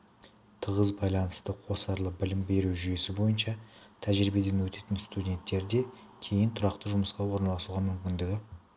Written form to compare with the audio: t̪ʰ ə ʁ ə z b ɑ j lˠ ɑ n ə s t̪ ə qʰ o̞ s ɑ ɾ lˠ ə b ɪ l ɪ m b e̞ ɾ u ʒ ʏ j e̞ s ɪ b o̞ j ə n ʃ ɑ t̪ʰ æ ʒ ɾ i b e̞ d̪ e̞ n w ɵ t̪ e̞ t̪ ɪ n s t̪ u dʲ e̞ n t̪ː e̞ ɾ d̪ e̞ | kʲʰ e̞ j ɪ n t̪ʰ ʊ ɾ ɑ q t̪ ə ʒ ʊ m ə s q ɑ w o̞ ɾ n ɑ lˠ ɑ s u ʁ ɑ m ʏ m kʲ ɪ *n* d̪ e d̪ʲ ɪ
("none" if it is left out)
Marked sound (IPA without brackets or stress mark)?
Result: n